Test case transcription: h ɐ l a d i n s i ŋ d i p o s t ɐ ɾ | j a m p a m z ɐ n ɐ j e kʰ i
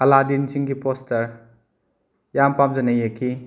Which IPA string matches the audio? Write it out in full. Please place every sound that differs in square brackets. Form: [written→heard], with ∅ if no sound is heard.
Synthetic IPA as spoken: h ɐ l a d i n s i ŋ [d→ɡ] i p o s t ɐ ɾ | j a m p a m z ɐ n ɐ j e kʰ i